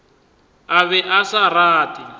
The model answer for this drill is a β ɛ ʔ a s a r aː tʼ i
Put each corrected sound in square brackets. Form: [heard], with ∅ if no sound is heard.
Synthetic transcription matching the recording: a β ɛ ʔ a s a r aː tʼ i